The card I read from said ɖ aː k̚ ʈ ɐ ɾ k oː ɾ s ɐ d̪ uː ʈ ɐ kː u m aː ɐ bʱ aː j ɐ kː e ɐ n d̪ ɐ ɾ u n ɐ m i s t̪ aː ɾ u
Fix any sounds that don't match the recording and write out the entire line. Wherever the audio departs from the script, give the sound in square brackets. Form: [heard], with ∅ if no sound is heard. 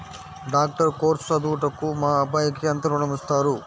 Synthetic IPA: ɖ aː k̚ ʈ ɐ ɾ k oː ɾ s ɐ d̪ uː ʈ ɐ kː u m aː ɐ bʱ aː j ɐ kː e ɐ n [t̪] ɐ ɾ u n ɐ m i s t̪ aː ɾ u